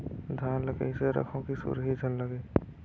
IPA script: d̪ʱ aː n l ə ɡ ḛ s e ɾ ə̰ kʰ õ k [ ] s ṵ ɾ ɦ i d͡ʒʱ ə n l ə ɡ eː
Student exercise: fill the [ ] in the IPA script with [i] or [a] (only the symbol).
i